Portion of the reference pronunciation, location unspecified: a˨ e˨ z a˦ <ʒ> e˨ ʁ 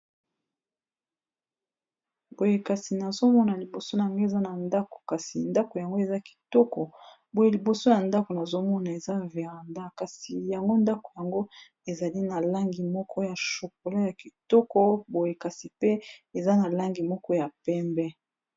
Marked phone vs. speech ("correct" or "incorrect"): incorrect